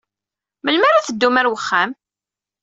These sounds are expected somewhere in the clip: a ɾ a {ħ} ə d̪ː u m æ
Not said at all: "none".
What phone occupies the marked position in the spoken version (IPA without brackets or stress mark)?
θ